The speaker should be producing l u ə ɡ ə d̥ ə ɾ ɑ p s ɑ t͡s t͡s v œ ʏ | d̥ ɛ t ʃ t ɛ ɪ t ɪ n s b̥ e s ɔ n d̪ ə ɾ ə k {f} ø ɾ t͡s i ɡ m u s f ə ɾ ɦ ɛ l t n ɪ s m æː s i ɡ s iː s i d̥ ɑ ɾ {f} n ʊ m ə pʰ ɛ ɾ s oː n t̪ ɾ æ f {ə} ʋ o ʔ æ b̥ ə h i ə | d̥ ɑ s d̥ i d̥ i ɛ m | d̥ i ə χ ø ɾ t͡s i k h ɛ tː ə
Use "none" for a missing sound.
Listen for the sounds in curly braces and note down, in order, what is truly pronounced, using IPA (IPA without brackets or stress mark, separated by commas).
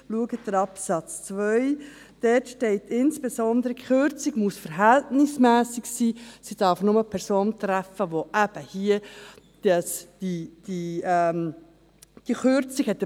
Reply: χ, f, ə